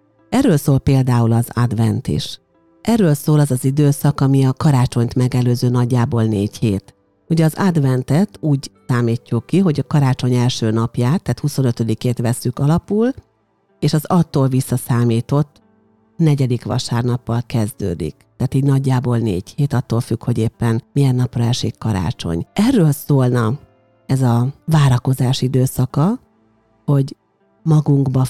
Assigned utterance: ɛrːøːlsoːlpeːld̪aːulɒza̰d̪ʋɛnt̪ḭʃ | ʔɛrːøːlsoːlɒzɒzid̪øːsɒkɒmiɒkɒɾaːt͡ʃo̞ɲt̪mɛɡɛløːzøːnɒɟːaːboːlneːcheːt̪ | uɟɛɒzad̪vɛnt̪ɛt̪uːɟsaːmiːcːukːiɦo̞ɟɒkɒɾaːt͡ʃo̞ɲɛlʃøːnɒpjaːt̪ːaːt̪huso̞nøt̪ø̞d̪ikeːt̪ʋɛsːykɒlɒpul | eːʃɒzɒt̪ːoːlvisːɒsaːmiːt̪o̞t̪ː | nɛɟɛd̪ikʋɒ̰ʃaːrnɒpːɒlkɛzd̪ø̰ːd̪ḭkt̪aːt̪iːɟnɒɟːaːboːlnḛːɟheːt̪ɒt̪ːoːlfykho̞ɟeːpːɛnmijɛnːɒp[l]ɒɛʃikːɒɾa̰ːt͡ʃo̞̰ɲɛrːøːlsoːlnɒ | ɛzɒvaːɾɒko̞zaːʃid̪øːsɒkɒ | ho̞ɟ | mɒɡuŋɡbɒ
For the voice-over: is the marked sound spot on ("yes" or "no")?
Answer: no